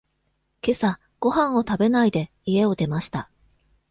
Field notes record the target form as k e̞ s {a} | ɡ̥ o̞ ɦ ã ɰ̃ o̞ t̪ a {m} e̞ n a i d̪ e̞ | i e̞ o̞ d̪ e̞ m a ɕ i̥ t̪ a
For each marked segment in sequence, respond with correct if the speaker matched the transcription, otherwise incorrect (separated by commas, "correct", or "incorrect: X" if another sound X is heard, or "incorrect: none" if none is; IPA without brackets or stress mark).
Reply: correct, incorrect: b